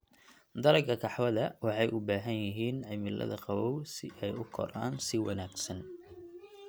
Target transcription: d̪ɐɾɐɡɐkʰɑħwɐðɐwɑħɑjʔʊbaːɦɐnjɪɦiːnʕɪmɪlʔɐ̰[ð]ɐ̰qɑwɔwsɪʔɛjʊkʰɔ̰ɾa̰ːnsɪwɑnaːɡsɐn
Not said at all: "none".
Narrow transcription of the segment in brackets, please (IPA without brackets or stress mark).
ð